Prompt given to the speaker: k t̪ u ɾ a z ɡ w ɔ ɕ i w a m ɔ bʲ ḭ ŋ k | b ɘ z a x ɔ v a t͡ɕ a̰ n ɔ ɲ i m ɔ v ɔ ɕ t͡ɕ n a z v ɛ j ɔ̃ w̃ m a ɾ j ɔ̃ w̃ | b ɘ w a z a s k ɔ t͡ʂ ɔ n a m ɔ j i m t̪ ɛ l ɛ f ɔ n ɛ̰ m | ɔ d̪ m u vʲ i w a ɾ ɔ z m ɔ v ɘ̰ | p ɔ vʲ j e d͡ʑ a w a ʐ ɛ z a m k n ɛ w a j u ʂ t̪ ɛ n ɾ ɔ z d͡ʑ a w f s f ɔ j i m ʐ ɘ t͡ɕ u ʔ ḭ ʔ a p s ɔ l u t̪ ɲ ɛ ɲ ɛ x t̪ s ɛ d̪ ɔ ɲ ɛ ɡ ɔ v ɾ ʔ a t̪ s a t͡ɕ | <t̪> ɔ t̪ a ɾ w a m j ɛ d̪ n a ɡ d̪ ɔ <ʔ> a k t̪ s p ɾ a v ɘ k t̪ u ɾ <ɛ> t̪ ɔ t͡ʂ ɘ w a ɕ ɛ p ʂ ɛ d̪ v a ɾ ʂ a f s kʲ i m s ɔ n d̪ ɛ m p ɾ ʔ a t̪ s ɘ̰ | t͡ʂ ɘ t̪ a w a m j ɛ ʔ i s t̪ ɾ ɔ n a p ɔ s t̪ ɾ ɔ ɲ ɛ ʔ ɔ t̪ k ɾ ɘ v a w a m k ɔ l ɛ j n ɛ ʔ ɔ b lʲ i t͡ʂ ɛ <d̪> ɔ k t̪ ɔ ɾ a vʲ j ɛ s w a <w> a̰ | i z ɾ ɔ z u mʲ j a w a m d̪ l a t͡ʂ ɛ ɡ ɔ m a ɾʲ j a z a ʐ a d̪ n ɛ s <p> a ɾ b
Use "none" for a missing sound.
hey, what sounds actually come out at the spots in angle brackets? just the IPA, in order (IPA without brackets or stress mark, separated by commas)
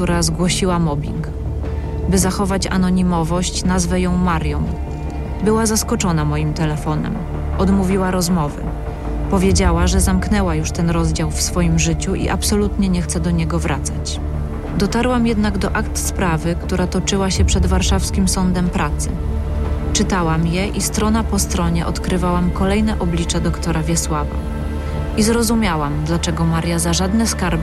d̪, ʔ, a, d̪, v, k